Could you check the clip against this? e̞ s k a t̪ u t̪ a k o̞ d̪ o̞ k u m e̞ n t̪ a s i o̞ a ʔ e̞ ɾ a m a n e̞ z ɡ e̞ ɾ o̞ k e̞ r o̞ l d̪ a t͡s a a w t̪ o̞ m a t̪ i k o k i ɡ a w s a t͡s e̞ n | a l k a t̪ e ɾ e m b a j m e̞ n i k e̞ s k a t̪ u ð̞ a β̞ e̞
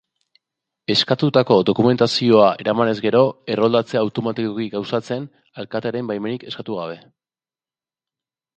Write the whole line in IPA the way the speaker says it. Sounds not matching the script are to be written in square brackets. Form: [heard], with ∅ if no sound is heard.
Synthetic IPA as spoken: e̞ s k a t̪ u t̪ a k o̞ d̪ o̞ k u m e̞ n t̪ a s i o̞ a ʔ e̞ ɾ a m a n e̞ z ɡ e̞ ɾ o̞ [∅] e̞ r o̞ l d̪ a t͡s [e] a w t̪ o̞ m a t̪ i k o k i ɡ a w s a t͡s e̞ n | a l k a t̪ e ɾ e m b a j m e̞ n i k e̞ s k a t̪ u [ɣ̞] a β̞ e̞